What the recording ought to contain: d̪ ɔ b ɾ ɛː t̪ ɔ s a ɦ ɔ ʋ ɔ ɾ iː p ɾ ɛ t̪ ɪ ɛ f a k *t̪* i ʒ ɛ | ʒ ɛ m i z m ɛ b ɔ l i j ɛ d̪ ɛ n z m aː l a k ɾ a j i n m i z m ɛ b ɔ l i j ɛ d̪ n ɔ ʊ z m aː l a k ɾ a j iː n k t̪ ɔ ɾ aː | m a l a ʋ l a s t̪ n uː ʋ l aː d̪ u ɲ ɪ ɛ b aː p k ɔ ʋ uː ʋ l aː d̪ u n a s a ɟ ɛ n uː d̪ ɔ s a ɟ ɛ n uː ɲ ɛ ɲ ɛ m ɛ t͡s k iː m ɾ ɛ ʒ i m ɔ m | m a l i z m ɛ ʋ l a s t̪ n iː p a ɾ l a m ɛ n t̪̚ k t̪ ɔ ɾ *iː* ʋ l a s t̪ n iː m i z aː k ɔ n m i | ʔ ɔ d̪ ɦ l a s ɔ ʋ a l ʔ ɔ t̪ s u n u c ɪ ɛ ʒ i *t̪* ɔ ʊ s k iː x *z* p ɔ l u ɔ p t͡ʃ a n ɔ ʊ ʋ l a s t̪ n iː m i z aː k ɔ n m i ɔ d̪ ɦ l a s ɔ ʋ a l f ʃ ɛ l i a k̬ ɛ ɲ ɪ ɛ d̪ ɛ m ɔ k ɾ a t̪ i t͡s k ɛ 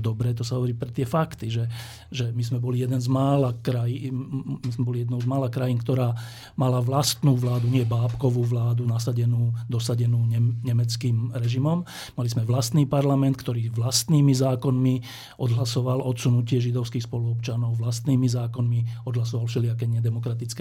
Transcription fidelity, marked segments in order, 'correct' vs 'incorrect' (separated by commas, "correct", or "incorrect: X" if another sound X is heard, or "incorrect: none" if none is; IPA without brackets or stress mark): correct, correct, incorrect: d̪, incorrect: s